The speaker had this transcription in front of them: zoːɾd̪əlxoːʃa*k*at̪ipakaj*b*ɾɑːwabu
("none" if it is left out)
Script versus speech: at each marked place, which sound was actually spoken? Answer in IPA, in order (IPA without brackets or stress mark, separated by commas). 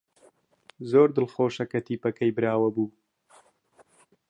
k, b